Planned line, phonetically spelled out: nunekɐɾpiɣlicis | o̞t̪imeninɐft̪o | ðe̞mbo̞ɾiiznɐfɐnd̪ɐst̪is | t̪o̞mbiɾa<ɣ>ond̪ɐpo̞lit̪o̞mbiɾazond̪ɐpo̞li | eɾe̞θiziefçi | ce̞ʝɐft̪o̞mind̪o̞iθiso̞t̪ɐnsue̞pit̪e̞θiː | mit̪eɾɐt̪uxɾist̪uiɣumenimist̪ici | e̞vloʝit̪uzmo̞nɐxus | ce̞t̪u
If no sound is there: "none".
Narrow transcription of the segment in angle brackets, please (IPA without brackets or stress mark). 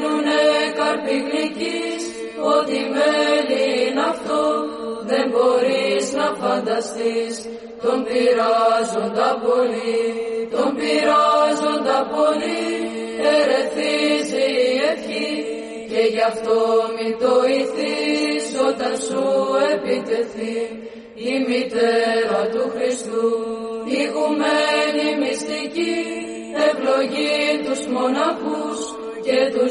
z